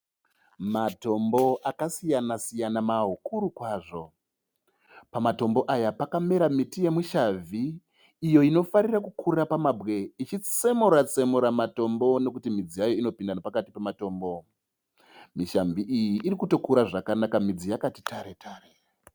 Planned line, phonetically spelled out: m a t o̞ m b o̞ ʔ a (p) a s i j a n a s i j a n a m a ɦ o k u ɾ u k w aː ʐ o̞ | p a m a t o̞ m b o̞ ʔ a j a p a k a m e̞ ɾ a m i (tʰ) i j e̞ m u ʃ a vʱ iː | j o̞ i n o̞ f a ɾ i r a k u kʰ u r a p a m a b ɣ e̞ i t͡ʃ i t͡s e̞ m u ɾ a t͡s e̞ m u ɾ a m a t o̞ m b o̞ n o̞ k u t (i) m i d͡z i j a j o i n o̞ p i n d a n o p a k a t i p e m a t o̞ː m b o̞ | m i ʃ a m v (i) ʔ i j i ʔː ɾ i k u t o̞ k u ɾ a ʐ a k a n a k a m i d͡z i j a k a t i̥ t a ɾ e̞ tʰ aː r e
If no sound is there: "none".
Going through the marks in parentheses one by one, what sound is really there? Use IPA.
k, t, i, i

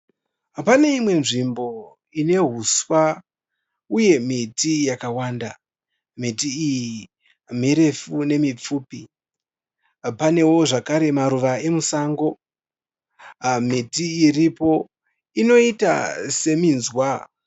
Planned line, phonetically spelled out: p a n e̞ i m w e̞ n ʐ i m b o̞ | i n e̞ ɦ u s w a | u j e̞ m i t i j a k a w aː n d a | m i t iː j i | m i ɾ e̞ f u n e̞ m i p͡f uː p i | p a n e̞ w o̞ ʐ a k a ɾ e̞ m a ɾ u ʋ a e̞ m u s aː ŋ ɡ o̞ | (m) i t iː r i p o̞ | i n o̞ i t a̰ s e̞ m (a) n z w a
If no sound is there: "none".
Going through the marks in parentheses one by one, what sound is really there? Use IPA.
m, i

